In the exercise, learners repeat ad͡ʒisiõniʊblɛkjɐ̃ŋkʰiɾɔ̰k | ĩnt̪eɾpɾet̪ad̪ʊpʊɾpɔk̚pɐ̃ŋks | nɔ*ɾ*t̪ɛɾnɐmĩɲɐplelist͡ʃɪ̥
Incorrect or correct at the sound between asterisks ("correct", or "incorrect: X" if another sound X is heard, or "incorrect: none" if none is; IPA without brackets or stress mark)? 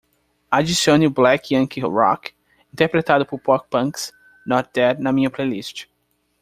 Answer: correct